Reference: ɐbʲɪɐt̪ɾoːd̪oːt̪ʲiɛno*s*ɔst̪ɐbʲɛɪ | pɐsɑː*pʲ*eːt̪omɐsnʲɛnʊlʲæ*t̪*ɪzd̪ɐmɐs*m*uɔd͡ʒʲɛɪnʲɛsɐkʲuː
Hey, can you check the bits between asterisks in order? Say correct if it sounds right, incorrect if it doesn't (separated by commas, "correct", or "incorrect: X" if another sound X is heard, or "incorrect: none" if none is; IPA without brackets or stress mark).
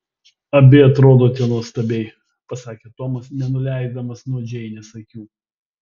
incorrect: none, incorrect: kʲ, incorrect: none, incorrect: n